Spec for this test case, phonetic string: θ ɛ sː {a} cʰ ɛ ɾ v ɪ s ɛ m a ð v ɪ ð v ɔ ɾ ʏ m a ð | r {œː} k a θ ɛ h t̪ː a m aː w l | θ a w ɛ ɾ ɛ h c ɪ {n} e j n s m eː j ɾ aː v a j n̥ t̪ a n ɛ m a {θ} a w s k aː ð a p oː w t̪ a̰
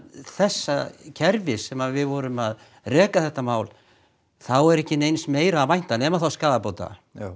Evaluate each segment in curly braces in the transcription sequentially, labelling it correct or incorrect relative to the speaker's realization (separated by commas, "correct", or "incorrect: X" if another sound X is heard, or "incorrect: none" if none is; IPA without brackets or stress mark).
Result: correct, incorrect: ɛː, correct, correct